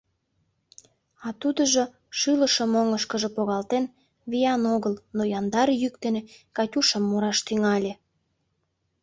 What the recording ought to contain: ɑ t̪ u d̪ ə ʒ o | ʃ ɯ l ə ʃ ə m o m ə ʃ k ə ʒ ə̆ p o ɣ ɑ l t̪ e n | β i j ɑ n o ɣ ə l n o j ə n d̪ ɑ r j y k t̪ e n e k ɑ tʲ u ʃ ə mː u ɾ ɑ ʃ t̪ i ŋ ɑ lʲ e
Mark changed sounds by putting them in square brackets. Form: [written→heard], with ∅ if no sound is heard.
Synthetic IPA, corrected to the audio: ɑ t̪ u d̪ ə ʒ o | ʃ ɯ l ə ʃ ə m o [m→ŋ] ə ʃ k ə ʒ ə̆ p o ɣ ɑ l t̪ e n | β i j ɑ n o ɣ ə l n o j [ə→ɑ] n d̪ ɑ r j y k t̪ e n e k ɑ tʲ u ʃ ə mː u ɾ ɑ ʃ t̪ [i→y] ŋ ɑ lʲ e